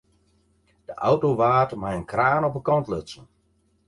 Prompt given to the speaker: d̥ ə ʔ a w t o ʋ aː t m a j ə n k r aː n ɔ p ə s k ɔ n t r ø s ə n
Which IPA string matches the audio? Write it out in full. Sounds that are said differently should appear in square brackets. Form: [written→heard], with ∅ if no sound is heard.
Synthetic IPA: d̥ ə ʔ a w t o ʋ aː t m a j ə n k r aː n ɔ p ə [s→∅] k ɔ n t [r→l] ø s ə n

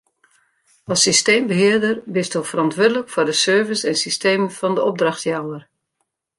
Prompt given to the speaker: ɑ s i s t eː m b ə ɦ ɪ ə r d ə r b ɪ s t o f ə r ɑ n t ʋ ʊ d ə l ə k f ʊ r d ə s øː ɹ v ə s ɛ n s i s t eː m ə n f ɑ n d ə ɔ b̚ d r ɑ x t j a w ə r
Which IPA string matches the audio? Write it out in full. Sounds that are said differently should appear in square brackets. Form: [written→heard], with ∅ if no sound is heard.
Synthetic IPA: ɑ s i s t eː m b ə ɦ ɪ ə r d ə r b ɪ s t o f ə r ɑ n t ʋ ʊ d ə l ə k f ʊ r d ə s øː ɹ v ə s ɛ n s i s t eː m ə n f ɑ n d ə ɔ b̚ d r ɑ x t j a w ə r

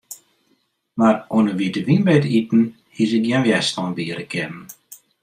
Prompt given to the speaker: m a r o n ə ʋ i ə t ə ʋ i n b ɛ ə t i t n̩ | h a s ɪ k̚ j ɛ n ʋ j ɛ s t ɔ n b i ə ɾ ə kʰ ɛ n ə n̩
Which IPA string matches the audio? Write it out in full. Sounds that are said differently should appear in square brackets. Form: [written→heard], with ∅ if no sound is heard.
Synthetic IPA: m a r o n ə ʋ i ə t ə ʋ i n b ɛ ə t i t n̩ | h [a→i] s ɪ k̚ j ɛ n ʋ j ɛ s t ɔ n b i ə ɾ ə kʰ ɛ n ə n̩

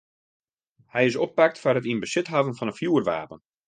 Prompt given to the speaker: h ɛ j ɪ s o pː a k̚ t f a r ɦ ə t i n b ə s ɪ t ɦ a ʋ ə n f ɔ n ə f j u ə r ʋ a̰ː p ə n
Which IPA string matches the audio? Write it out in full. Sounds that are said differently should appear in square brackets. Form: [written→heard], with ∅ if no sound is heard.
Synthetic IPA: h ɛ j ɪ s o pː a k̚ t f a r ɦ ə t i n b ə s ɪ t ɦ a [ʋ→v] ə n f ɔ n ə f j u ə r ʋ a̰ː p ə n

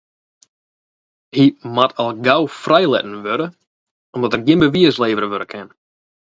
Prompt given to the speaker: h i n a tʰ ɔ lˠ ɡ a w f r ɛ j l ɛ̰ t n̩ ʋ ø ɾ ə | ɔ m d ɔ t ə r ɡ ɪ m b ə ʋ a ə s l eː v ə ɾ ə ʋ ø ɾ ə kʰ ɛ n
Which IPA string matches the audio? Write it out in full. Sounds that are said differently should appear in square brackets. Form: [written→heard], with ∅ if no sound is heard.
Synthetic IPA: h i [n→m] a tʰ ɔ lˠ ɡ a w f r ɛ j l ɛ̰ t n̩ ʋ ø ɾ ə | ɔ m d ɔ t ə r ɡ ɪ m b ə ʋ [a→i] ə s l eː v ə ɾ ə ʋ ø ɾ ə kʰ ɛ n

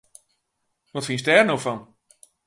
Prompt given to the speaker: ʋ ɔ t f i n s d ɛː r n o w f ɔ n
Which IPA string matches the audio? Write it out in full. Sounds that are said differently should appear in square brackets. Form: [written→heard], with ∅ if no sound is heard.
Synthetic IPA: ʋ ɔ t f i n s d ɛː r n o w f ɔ n

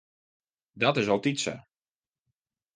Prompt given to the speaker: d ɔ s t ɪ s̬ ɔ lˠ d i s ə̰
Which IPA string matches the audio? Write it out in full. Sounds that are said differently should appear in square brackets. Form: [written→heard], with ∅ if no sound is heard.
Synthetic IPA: d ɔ [s→∅] t ɪ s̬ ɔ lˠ [d→t] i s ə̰

